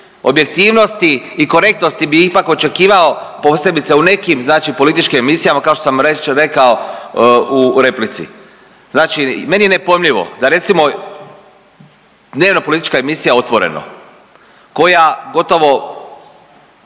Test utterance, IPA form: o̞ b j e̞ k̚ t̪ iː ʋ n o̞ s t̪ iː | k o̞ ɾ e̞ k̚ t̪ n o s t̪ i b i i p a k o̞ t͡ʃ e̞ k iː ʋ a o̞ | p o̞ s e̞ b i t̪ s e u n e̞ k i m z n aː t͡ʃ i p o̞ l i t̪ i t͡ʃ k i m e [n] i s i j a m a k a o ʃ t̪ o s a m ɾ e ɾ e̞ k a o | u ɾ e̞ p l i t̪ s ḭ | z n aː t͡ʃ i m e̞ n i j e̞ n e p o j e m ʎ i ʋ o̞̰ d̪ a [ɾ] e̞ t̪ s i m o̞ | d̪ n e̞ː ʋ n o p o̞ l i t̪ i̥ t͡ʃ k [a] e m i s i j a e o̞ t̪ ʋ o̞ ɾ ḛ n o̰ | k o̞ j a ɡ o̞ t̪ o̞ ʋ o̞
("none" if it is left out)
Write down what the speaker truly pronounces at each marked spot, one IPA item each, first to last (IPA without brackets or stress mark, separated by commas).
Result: m, ɾ, a